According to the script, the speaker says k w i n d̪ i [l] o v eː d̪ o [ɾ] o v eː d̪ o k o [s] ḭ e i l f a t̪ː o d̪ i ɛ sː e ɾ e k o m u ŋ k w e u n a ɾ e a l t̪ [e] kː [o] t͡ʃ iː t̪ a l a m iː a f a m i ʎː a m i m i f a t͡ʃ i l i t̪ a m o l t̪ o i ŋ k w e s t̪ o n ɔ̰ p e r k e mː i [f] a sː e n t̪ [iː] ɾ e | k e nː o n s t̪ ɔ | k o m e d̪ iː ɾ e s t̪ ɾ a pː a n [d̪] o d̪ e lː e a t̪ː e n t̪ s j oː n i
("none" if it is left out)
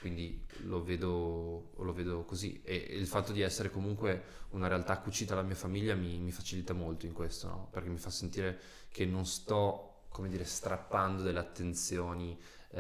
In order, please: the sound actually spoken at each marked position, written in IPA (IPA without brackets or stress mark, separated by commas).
l, l, z, a, u, f, iː, d̪